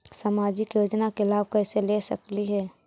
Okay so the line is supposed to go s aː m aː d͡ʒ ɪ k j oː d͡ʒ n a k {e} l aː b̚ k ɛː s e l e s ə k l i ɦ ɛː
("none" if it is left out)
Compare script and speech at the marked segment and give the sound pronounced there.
e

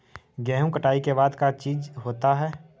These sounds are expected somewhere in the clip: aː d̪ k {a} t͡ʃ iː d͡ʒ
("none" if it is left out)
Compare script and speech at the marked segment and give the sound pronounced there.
a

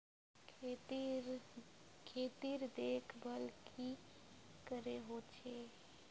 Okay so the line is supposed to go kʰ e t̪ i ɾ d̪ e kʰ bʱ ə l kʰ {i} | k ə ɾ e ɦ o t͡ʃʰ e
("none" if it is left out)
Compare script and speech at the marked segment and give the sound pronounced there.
i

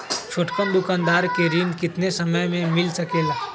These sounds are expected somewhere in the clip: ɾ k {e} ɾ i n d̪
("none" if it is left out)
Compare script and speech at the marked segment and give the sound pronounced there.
e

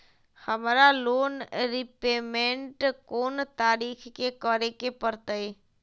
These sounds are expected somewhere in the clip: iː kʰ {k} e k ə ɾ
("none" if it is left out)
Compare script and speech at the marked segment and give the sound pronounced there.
k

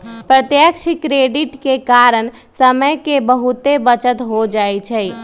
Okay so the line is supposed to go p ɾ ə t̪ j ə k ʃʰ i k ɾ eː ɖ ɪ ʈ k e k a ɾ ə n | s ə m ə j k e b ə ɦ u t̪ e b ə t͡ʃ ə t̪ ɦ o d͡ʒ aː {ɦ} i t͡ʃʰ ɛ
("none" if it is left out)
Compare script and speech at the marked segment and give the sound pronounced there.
none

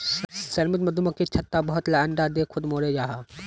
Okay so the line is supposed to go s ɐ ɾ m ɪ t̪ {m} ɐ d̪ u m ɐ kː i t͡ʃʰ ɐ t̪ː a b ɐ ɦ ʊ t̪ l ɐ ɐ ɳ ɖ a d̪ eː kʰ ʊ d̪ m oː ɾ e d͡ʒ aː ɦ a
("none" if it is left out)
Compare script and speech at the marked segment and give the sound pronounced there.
m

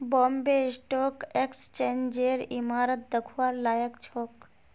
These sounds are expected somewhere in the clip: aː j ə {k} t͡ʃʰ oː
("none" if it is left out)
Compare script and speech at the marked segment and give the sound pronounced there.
k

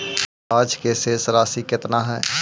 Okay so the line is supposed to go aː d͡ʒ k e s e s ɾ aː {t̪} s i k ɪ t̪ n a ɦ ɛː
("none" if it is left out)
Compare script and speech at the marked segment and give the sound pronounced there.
none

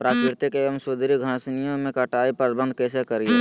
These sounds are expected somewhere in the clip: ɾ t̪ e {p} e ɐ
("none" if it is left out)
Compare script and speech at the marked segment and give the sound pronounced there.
k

